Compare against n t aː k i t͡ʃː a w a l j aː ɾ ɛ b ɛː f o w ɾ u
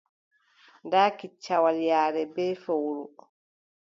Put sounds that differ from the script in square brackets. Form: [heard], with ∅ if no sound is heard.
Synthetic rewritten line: n [d] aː k i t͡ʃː a w a l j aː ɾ ɛ b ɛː f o w ɾ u